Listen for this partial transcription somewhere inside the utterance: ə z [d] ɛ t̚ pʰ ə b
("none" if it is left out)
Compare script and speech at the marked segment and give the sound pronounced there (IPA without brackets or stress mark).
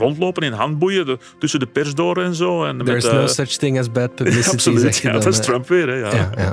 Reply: b